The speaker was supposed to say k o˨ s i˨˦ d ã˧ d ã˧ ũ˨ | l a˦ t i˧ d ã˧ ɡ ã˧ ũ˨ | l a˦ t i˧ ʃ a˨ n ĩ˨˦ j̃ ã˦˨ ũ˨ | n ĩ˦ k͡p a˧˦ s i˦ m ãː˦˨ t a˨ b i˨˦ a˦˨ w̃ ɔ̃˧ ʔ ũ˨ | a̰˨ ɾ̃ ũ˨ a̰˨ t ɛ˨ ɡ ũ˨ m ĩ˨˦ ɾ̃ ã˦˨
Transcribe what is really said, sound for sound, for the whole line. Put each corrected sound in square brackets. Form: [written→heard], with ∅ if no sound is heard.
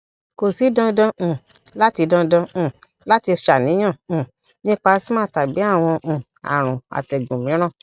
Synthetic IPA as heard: k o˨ s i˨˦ d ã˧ d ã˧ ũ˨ | l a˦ t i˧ d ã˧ [ɡ→d] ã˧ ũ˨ | l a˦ t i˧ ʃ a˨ n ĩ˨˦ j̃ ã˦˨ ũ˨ | n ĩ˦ k͡p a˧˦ s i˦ m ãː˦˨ t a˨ b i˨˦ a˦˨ w̃ ɔ̃˧ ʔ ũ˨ | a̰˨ ɾ̃ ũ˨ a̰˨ t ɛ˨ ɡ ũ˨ m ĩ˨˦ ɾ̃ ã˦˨